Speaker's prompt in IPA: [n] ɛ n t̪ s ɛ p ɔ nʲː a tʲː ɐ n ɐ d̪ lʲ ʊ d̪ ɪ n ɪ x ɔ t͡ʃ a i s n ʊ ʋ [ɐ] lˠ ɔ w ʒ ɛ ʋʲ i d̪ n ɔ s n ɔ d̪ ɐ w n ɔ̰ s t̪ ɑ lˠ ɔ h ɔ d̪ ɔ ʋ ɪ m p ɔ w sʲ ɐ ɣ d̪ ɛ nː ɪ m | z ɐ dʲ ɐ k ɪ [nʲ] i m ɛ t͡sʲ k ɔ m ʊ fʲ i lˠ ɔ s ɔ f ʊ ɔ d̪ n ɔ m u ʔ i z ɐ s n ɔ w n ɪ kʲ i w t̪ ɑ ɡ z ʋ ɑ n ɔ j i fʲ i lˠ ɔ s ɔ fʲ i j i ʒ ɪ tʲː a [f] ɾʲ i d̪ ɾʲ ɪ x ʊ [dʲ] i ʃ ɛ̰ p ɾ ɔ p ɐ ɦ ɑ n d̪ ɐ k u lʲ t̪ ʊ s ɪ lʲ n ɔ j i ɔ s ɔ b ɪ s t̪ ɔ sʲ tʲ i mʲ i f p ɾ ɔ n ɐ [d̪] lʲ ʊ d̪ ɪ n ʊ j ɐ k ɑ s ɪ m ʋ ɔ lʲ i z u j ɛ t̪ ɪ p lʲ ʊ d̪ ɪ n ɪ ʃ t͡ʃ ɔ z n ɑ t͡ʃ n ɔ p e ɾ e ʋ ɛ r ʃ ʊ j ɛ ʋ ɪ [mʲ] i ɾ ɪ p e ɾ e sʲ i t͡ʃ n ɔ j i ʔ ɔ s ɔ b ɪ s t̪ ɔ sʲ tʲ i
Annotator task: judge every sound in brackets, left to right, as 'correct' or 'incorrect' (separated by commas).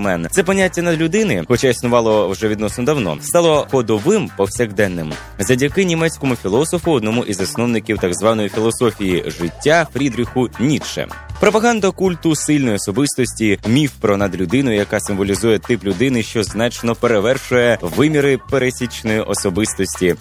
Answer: incorrect, incorrect, correct, correct, incorrect, correct, correct